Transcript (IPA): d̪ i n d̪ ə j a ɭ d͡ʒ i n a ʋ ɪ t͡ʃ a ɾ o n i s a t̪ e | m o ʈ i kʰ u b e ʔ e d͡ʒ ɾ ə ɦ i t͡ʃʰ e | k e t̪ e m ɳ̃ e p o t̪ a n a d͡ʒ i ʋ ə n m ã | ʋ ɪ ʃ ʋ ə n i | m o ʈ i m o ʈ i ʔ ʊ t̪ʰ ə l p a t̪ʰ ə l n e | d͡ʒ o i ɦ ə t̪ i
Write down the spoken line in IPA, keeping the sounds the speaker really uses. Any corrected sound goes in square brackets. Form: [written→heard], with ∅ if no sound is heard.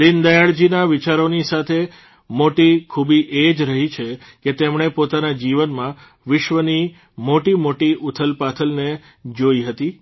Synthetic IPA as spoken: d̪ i n d̪ ə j a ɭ d͡ʒ i n a ʋ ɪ t͡ʃ a ɾ o n i s a [t̪→t̪ʰ] e | m o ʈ i kʰ u b [e→i] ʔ e d͡ʒ ɾ ə ɦ i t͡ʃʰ e | k e t̪ e m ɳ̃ e p o t̪ a n a d͡ʒ i ʋ ə n m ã | ʋ ɪ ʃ ʋ ə n i | m o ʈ i m o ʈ i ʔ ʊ t̪ʰ ə l p a t̪ʰ ə l n e | d͡ʒ o i ɦ ə t̪ i